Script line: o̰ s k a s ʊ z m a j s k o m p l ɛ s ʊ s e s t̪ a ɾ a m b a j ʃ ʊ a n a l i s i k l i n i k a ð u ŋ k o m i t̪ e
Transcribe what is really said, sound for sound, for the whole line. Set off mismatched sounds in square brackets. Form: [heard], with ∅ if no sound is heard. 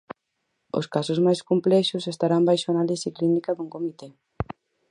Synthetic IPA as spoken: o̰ s k a s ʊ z m a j s k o m p l ɛ [ʃ] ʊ s e s t̪ a ɾ a m b a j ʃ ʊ a n a l i s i k l i n i k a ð u ŋ k o m i t̪ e